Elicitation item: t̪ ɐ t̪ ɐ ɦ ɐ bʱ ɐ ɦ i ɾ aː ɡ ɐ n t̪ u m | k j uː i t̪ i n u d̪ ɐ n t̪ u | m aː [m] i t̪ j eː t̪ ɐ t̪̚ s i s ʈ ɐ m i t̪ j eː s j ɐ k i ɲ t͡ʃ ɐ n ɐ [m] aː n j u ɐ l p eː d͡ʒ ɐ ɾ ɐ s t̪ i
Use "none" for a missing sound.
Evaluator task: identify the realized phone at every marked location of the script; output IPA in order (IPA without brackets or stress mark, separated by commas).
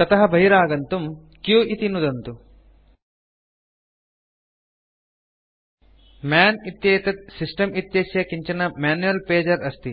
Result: n, m